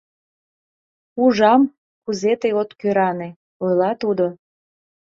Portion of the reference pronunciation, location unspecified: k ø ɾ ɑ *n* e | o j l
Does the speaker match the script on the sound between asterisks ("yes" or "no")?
yes